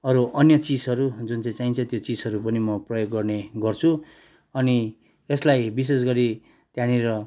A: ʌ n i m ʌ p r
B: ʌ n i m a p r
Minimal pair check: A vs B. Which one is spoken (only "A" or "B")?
A